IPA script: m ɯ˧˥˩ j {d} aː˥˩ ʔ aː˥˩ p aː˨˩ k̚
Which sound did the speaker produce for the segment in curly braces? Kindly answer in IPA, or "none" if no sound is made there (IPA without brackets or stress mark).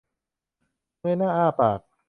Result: n